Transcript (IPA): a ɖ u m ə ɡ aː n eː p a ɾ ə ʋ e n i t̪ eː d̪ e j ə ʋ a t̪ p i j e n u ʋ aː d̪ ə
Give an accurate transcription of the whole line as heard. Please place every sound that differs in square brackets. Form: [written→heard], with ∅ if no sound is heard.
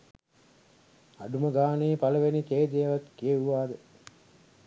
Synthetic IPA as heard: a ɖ u m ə ɡ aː n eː p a [ɾ→l] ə ʋ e n i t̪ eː d̪ e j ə ʋ a t̪ [p→k] i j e [n→∅] u ʋ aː d̪ ə